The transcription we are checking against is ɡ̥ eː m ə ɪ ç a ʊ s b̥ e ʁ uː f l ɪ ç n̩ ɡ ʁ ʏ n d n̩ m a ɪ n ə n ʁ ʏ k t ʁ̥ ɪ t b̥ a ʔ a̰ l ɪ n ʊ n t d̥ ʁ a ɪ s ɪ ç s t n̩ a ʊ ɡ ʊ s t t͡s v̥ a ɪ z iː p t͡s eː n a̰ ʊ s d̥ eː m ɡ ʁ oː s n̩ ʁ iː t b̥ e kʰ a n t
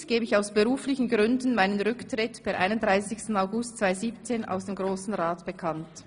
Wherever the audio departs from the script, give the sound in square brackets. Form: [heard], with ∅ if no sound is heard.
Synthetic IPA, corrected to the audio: ɡ̥ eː [b] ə ɪ ç a ʊ s b̥ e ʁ uː f l ɪ ç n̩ ɡ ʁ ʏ n d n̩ m a ɪ n ə n ʁ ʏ k t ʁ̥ ɪ t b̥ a ʔ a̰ [∅] ɪ n ʊ n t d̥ ʁ a ɪ s ɪ ç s t n̩ a ʊ ɡ ʊ s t t͡s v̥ a ɪ z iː p t͡s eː n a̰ ʊ s d̥ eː m ɡ ʁ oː s n̩ ʁ [aː] t b̥ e kʰ a n t